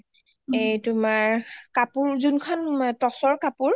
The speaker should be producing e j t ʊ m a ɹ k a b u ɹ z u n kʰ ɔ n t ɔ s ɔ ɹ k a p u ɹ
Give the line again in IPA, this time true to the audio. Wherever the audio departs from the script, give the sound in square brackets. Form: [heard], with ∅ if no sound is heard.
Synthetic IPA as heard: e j t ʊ m a ɹ k a [p] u ɹ z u n kʰ ɔ n t ɔ s ɔ ɹ k a p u ɹ